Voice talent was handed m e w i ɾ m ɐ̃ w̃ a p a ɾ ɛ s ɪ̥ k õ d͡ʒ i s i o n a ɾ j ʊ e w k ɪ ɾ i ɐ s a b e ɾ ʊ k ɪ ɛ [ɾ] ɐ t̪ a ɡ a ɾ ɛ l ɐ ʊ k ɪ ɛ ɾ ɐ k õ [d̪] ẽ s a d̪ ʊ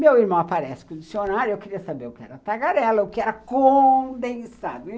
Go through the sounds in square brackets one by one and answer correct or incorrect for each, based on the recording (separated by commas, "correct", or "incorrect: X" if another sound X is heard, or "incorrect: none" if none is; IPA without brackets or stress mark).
correct, correct